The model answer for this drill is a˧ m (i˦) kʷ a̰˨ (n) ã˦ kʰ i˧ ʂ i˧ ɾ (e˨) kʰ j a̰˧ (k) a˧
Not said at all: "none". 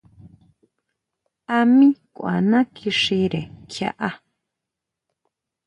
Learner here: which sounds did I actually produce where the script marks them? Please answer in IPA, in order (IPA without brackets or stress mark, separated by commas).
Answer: ĩ˦, n, e˨, ʔ